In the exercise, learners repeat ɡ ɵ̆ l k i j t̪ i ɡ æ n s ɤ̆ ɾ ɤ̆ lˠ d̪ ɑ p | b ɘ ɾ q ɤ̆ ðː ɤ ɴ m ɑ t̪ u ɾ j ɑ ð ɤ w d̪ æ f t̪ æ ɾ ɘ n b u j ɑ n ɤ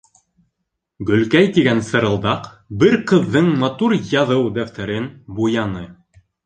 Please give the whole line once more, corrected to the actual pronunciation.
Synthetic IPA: ɡ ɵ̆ l k æ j t̪ i ɡ æ n s ɤ̆ ɾ ɤ̆ lˠ d̪ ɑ q | b ɘ ɾ q ɤ̆ ðː ɤ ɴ m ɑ t̪ u ɾ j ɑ ð ɤ w d̪ æ f t̪ æ ɾ ɘ n b u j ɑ n ɤ